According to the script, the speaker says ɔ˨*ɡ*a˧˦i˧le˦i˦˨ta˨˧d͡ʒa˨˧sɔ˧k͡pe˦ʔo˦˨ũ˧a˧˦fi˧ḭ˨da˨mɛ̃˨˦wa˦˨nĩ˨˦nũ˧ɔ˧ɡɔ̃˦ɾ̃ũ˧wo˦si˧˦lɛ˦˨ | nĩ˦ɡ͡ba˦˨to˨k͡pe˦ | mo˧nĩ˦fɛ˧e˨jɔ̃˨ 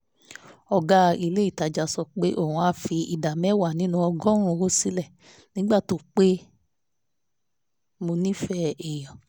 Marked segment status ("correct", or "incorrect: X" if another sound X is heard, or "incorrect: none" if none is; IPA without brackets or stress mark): correct